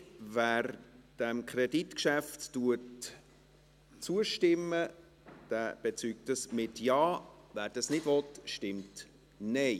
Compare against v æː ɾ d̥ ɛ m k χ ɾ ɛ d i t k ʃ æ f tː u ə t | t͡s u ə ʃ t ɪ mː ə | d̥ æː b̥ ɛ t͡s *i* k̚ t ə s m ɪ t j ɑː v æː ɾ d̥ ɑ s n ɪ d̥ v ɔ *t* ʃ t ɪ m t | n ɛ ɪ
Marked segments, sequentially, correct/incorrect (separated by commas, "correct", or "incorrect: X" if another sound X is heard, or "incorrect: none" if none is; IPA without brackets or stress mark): incorrect: y, correct